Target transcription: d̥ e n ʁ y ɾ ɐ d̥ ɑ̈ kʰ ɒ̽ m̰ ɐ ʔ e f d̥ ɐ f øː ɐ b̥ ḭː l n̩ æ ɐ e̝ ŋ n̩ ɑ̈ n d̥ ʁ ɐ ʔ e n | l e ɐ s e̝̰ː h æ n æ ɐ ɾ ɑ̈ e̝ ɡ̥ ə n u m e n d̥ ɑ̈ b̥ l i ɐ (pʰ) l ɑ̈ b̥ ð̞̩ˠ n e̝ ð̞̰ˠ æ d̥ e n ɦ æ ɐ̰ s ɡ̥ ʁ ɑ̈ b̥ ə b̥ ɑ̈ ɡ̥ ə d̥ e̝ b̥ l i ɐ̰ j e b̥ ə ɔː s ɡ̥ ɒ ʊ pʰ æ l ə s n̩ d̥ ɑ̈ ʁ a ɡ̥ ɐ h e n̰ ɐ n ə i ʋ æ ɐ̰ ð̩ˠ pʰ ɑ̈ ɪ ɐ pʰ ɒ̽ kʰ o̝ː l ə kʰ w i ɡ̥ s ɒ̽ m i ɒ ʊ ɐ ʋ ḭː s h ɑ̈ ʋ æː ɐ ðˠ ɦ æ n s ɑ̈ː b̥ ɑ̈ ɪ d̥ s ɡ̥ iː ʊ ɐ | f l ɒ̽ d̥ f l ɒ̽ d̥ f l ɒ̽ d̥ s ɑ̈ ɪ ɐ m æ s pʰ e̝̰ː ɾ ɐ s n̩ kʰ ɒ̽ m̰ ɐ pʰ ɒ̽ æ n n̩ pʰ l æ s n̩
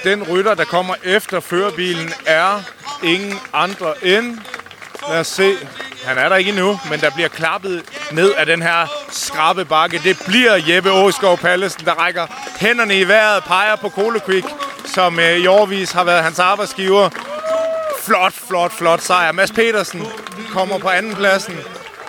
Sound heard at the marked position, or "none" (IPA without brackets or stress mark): kʰ